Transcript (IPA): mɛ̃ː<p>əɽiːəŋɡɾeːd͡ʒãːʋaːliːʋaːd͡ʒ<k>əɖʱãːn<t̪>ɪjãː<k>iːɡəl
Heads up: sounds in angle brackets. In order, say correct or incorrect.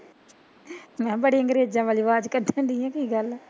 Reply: incorrect, correct, incorrect, correct

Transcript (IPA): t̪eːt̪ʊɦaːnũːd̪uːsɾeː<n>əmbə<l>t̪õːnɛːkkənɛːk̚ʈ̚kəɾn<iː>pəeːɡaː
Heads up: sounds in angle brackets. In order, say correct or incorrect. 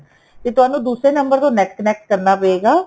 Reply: correct, incorrect, incorrect

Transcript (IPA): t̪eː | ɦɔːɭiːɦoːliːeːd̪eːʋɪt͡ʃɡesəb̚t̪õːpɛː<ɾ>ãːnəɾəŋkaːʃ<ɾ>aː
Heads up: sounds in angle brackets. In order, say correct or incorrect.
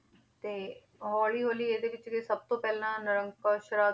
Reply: incorrect, correct

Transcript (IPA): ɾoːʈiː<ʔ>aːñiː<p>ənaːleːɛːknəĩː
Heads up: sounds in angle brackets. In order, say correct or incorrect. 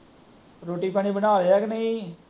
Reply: incorrect, incorrect

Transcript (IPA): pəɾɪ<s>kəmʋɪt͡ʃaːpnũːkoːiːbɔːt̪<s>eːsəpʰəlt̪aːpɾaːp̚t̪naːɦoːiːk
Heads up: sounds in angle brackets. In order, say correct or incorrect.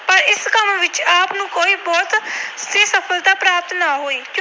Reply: correct, correct

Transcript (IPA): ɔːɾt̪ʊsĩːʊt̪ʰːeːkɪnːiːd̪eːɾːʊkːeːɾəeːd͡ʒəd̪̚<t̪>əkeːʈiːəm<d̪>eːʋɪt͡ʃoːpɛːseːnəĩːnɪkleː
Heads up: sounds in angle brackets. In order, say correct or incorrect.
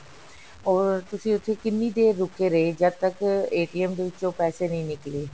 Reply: correct, correct

